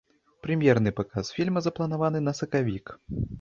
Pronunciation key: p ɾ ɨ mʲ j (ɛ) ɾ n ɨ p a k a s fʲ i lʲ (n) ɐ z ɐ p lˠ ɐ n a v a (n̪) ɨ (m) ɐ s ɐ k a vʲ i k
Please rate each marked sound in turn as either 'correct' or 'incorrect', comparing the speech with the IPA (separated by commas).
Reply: correct, incorrect, correct, incorrect